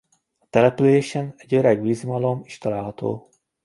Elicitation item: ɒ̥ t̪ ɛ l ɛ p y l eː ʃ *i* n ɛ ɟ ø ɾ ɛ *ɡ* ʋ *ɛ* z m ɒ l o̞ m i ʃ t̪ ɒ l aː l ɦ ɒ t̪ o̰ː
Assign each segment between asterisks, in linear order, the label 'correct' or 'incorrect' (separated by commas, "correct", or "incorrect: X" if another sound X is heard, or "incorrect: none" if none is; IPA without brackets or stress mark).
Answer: incorrect: ɛ, correct, incorrect: i